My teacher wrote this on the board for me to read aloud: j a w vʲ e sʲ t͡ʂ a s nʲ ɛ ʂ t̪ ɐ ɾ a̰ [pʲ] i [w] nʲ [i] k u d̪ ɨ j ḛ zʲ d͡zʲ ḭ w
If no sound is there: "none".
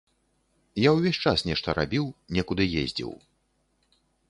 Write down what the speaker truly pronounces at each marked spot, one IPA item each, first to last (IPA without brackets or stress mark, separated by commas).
bʲ, w, ɛ